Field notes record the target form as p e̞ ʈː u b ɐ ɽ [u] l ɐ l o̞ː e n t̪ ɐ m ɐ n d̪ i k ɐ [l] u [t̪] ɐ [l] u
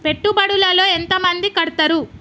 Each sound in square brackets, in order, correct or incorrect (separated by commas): correct, incorrect, correct, incorrect